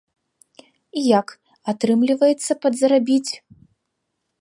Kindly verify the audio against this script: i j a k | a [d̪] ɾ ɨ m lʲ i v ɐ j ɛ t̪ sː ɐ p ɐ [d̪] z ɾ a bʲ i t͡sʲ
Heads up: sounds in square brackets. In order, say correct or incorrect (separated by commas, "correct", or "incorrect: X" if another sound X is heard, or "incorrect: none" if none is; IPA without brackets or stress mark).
incorrect: t̪, correct